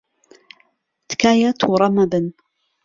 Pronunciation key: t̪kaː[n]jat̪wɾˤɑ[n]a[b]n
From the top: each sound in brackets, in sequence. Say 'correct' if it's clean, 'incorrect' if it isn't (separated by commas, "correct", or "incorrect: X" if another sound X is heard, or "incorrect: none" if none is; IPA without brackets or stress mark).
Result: incorrect: none, incorrect: m, correct